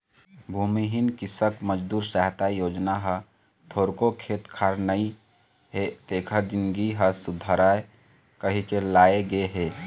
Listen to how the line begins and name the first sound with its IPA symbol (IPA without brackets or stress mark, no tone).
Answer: bʱ